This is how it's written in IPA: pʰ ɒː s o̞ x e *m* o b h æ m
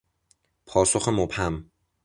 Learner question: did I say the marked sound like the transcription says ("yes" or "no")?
yes